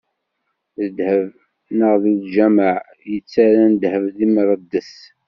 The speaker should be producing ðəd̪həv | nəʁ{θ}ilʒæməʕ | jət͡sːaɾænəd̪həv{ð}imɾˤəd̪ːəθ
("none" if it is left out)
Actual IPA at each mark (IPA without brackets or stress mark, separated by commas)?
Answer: ð, ð